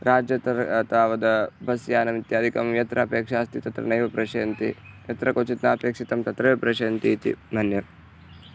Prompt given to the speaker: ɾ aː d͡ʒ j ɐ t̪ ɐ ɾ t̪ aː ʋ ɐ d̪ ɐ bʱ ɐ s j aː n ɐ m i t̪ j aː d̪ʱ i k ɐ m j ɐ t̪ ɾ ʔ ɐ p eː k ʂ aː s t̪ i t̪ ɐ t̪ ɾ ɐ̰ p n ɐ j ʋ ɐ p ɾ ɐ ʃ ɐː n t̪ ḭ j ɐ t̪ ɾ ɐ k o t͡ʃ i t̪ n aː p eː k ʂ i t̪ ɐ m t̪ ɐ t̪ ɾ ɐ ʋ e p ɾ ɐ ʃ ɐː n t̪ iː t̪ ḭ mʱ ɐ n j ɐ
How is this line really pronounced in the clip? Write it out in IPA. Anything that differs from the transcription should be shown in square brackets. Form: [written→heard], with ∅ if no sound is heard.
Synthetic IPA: ɾ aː d͡ʒ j ɐ t̪ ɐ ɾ t̪ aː ʋ ɐ d̪ ɐ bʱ ɐ s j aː n ɐ m i t̪ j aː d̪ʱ i k ɐ m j ɐ t̪ ɾ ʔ ɐ p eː k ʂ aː s t̪ i t̪ ɐ t̪ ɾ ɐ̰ [p→∅] n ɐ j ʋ ɐ p ɾ ɐ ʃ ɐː n t̪ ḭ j ɐ t̪ ɾ ɐ k o t͡ʃ i t̪ n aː p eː k ʂ i t̪ ɐ m t̪ ɐ t̪ ɾ ɐ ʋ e p ɾ ɐ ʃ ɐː n t̪ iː t̪ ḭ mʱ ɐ n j ɐ